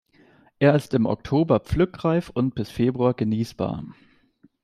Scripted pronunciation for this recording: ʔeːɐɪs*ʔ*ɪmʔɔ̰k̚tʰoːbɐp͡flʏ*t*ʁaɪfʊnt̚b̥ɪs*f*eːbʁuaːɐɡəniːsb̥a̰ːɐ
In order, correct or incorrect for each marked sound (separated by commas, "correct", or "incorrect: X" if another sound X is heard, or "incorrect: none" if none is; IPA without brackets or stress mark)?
incorrect: t, incorrect: k, correct